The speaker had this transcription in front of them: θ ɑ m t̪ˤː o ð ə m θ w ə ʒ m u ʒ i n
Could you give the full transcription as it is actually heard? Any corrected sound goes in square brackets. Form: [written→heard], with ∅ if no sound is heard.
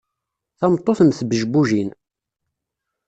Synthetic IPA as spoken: θ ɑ m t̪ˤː o [ð→θ] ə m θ [w→b] ə ʒ [m→b] u ʒ i n